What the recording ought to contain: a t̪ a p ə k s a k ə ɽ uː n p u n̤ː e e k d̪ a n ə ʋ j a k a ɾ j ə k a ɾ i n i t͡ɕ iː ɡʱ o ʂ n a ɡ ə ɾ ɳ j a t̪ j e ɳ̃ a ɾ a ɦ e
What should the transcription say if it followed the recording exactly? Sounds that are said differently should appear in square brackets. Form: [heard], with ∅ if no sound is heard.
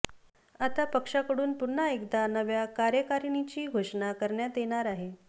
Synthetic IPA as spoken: a t̪ a p ə k [ʂ] a k ə ɽ uː n p u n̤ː [a] e k d̪ a n ə ʋ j a k a ɾ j ə k a ɾ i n i t͡ɕ iː ɡʱ o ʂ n a [k] ə ɾ ɳ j a t̪ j e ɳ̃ a ɾ a ɦ e